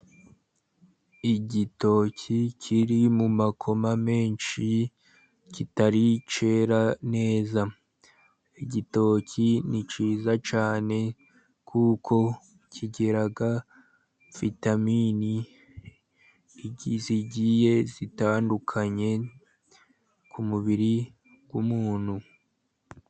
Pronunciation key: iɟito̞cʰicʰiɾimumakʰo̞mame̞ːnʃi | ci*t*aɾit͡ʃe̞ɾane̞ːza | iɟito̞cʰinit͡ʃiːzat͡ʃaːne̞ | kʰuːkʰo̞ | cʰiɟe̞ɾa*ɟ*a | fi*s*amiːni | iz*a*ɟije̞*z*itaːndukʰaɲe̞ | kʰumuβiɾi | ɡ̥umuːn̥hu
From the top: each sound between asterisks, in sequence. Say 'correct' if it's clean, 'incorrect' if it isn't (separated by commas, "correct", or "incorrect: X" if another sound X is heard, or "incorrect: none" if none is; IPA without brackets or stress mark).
correct, incorrect: ɡ, incorrect: t, incorrect: i, correct